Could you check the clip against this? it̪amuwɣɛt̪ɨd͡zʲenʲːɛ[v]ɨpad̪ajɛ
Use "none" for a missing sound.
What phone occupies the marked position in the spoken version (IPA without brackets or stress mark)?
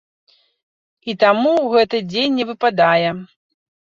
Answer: v